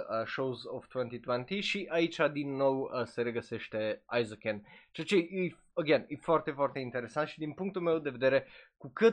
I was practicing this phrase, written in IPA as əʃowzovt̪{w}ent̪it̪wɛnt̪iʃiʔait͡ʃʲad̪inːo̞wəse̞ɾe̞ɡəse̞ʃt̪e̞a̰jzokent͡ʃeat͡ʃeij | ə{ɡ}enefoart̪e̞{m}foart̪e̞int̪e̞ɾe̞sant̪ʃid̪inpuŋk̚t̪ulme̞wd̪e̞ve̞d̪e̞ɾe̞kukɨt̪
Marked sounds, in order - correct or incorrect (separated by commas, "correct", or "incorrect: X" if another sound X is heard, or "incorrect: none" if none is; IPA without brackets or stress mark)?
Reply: correct, correct, incorrect: none